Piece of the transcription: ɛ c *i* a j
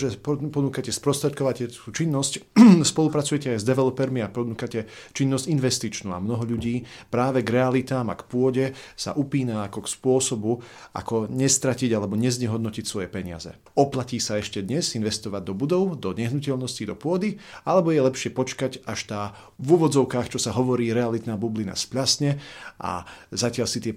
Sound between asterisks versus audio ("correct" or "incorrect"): incorrect